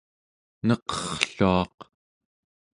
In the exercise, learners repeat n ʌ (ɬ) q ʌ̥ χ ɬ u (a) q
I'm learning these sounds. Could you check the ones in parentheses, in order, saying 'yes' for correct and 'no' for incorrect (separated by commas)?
no, no